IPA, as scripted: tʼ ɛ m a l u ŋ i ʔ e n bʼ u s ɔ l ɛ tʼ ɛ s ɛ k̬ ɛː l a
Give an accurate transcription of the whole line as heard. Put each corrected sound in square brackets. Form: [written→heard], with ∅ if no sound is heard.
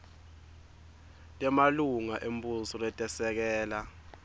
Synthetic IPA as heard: tʼ ɛ m a l u ŋ [i→a] ʔ e [n→m] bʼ u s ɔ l ɛ tʼ ɛ s ɛ k̬ ɛː l a